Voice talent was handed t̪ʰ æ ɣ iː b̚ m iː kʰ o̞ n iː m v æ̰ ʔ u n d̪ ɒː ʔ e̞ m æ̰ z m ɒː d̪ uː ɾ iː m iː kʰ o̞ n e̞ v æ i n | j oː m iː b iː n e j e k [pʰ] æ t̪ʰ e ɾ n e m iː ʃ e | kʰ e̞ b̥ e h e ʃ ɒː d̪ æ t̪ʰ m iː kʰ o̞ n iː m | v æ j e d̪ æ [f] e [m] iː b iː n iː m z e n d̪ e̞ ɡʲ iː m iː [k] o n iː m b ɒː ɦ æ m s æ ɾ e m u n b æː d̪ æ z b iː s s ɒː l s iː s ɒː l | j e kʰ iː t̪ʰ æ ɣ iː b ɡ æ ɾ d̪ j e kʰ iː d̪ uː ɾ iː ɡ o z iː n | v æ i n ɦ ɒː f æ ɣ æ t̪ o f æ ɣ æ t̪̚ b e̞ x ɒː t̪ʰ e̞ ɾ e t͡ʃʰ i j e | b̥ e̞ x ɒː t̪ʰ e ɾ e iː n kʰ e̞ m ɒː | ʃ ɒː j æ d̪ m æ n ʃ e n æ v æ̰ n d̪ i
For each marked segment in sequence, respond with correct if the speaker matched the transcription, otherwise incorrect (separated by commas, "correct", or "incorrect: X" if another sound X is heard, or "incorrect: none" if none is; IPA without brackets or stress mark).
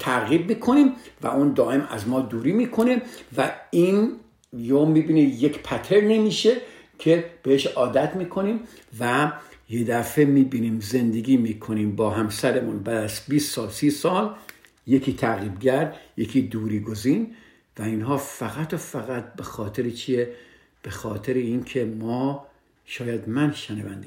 correct, correct, correct, incorrect: kʰ